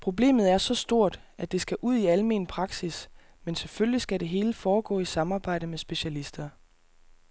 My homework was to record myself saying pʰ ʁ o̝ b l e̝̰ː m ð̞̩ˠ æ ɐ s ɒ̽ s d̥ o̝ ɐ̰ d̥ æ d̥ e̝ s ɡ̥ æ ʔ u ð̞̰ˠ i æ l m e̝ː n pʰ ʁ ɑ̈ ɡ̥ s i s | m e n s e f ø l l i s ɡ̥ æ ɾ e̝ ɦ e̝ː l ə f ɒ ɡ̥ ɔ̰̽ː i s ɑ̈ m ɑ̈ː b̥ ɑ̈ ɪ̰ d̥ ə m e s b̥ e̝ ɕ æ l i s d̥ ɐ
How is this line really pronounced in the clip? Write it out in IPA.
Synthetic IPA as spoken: pʰ ʁ o̝ b l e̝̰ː m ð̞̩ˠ æ ɐ s ɒ̽ s d̥ o̝ ɐ̰ d̥ æ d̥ e̝ s ɡ̥ æ ʔ u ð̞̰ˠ i æ l m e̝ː n pʰ ʁ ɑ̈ ɡ̥ s i s | m e n s e f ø l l i s ɡ̥ æ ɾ e̝ ɦ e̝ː l ə f ɒː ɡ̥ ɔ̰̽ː i s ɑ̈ m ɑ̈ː b̥ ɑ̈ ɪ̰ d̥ ə m e s b̥ e̝ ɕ æ l i s d̥ ɐ